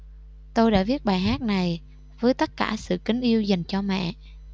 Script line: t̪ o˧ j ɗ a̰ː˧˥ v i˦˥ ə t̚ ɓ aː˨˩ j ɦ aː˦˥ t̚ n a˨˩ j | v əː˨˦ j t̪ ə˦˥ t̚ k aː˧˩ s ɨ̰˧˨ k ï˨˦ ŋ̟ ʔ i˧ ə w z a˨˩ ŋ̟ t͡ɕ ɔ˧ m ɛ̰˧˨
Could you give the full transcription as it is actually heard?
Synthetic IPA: t̪ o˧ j ɗ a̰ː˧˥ v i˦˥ ə t̚ ɓ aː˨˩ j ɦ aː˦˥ t̚ n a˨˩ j | v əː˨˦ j t̪ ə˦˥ t̚ k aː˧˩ s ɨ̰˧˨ k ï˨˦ ŋ̟ ʔ i˧ ə w z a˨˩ ŋ̟ t͡ɕ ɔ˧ m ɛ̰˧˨